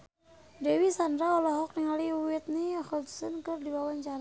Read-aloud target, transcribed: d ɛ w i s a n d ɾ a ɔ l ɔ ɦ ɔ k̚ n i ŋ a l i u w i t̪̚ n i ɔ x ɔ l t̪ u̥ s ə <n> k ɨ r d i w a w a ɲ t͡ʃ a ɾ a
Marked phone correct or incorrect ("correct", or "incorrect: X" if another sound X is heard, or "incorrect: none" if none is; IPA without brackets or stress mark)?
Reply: correct